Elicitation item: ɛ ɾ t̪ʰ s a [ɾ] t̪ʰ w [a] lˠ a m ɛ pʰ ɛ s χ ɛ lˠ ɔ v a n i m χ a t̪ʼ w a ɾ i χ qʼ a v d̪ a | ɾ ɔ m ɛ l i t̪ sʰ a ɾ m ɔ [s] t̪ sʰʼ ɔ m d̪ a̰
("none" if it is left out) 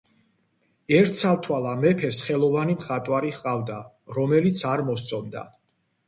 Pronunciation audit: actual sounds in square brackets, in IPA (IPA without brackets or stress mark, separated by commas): l, a, s